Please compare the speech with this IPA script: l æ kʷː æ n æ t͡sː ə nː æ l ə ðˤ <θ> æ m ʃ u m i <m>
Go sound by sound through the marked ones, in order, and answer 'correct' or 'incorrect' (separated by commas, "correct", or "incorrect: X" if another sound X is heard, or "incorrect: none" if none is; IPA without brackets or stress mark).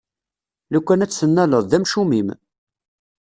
incorrect: ð, correct